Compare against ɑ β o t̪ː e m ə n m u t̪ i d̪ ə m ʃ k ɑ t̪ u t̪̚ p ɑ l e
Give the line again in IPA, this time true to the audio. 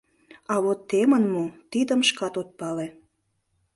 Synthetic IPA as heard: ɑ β o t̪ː e m ə n m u t̪ i d̪ ə m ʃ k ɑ t̪ o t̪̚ p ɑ l e